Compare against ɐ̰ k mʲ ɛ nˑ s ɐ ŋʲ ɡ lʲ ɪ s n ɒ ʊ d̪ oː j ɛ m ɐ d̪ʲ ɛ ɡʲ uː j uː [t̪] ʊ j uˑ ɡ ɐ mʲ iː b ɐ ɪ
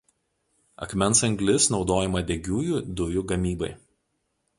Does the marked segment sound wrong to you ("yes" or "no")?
yes